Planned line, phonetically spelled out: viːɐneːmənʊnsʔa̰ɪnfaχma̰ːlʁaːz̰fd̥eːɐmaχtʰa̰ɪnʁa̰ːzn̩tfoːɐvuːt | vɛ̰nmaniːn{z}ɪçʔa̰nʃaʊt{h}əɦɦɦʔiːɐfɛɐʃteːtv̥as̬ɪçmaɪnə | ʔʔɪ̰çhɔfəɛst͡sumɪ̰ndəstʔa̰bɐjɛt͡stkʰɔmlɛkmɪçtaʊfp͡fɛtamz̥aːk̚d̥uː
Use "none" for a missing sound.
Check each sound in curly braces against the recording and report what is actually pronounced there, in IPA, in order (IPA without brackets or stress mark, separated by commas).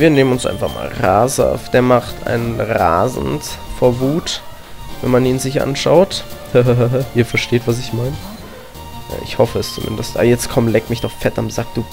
z, h